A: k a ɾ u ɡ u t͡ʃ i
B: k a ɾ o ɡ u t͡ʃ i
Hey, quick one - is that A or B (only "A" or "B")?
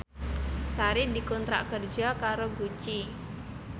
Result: B